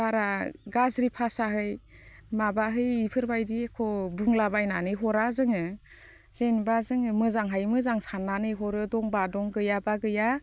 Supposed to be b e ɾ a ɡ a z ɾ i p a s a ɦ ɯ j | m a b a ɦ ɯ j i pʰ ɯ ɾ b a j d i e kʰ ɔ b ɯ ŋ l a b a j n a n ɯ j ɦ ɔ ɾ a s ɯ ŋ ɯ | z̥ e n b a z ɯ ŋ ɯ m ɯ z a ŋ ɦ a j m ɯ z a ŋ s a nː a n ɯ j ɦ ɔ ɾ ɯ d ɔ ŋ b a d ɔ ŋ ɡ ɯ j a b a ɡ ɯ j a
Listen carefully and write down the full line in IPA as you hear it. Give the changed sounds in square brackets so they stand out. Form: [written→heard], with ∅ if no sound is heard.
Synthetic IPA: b [e→a] ɾ a ɡ a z ɾ i [p→pʰ] a s a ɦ ɯ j | m a b a ɦ ɯ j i pʰ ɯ ɾ b a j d i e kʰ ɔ b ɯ ŋ l a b a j n a n ɯ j ɦ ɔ ɾ a [s→z] ɯ ŋ ɯ | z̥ e n b a z ɯ ŋ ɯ m ɯ z a ŋ ɦ a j m ɯ z a ŋ s a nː a n ɯ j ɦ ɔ ɾ ɯ d ɔ ŋ b a d ɔ ŋ ɡ ɯ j a b a ɡ ɯ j a